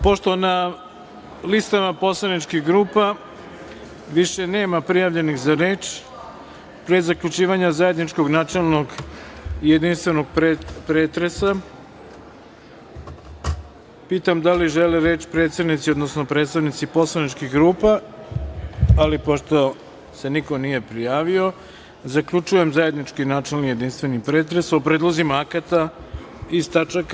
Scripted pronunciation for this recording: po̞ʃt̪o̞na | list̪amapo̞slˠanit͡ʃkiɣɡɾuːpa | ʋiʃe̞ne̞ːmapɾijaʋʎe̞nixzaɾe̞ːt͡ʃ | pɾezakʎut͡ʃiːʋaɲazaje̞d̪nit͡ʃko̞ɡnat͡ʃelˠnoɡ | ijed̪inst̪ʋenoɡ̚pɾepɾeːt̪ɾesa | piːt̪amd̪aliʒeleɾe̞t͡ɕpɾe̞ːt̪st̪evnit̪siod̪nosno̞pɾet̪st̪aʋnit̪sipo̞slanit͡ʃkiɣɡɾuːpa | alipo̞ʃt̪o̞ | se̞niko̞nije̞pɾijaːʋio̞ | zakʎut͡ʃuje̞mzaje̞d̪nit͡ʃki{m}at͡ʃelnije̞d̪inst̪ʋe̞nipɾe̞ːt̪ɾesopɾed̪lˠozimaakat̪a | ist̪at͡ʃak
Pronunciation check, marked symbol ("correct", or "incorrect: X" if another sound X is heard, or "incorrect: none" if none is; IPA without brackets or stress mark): incorrect: n